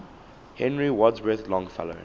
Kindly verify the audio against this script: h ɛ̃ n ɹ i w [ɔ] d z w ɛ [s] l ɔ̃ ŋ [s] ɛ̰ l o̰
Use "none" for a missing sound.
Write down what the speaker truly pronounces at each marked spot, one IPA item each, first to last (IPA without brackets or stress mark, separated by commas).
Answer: ɔ, θ, f